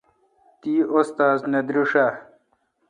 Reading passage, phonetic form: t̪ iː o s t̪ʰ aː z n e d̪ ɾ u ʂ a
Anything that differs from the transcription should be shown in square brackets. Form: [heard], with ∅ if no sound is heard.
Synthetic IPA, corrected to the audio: t̪ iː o s [t̪] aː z n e d̪ ɾ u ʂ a